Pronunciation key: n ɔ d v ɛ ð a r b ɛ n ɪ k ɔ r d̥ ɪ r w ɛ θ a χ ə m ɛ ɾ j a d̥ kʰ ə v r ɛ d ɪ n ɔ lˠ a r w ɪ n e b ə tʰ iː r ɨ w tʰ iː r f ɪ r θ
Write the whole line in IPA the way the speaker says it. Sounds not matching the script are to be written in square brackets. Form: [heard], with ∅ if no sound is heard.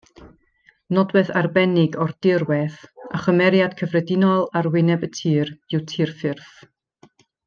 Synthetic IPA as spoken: n ɔ d [w] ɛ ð a r b ɛ n ɪ [ɡ] ɔ r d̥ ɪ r w ɛ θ a χ ə m ɛ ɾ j a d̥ kʰ ə v r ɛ d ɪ n ɔ lˠ a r w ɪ n [ɛ] b ə tʰ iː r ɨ w tʰ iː r f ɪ r θ